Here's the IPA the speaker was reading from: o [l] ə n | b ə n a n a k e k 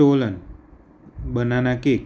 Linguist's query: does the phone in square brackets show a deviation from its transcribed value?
no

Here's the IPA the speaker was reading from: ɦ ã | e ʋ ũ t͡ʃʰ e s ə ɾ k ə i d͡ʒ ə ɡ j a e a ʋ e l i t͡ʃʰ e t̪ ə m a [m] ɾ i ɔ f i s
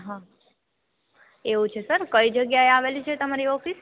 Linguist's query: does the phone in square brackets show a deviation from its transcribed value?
yes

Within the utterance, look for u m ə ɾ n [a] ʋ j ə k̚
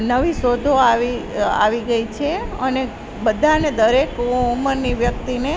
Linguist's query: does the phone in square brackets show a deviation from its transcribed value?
yes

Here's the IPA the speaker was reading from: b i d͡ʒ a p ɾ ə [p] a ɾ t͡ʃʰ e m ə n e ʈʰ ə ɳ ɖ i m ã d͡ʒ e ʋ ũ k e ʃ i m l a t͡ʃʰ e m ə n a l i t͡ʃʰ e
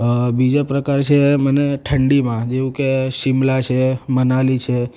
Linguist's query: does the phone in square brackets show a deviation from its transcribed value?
yes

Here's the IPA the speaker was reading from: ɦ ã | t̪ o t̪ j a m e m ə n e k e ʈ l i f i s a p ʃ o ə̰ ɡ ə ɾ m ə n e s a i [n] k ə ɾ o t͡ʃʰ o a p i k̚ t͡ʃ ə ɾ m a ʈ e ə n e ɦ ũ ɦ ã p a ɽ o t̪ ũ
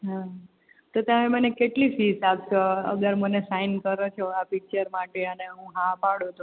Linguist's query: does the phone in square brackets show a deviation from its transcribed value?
no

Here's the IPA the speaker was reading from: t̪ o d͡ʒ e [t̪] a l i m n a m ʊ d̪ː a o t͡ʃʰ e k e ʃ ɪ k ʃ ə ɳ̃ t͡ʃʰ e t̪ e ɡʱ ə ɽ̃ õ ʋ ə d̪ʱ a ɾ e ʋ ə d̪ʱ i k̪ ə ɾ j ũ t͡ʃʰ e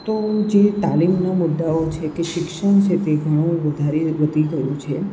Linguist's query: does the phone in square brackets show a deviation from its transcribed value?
no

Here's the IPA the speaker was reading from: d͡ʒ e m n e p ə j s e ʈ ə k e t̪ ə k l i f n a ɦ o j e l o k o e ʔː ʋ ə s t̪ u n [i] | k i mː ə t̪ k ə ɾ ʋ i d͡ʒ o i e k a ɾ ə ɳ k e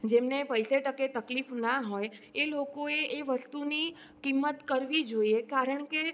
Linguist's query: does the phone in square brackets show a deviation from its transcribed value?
no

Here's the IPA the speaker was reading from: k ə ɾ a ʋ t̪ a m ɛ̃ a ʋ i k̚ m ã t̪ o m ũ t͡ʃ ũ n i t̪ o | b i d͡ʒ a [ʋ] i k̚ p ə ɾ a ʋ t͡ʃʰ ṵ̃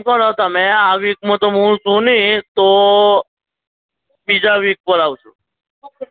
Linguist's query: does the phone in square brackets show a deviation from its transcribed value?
no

